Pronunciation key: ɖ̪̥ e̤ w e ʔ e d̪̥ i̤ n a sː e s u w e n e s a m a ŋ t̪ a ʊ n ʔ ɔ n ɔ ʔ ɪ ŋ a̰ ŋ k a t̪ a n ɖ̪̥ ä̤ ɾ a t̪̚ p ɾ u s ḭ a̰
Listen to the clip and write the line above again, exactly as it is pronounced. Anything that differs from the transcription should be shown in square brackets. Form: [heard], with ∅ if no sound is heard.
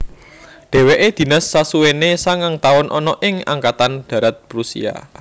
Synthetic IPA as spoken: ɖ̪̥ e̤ w e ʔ e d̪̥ i̤ n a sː [a] s u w e n e s a [ŋ] a ŋ t̪ a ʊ n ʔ ɔ n ɔ ʔ ɪ ŋ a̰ ŋ k a t̪ a n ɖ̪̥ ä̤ ɾ a t̪̚ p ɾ u s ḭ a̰